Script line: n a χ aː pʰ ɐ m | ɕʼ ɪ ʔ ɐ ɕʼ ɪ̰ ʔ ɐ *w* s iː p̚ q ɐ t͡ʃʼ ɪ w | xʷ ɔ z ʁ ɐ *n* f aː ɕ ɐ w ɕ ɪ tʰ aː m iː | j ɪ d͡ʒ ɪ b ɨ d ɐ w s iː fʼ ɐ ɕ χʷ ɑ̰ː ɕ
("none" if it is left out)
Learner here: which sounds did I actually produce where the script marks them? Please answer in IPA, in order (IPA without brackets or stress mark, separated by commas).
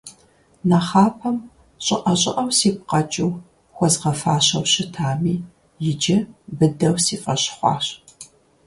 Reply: w, none